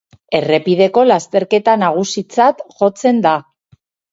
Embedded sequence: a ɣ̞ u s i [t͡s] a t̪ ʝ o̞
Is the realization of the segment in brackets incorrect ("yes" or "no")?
no